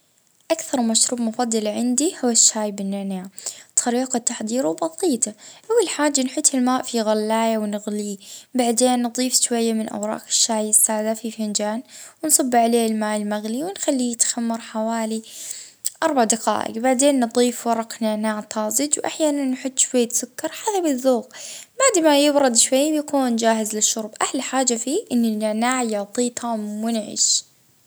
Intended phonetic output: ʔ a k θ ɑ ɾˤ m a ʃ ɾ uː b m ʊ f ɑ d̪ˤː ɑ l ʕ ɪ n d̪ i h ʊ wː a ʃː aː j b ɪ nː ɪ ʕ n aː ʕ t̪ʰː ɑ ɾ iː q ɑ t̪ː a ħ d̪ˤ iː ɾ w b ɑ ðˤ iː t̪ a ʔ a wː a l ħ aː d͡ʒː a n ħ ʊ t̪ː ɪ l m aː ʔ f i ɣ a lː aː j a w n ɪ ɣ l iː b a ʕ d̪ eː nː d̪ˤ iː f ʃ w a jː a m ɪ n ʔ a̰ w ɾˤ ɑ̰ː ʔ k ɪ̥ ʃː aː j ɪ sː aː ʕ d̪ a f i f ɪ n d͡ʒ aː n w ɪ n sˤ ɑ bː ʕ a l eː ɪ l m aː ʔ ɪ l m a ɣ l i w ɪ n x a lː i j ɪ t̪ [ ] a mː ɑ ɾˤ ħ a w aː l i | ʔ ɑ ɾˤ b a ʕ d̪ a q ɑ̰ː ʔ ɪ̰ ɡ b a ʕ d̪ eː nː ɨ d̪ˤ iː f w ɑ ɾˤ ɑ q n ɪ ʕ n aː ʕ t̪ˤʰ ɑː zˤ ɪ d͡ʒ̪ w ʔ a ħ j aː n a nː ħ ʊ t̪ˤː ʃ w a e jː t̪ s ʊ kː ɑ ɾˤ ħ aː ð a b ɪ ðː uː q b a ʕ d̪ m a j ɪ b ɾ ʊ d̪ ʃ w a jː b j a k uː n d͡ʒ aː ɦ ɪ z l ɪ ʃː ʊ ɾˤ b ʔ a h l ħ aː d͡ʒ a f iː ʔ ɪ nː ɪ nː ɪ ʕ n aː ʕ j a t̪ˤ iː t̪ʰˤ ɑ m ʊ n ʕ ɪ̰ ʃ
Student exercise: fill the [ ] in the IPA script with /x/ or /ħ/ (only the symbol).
x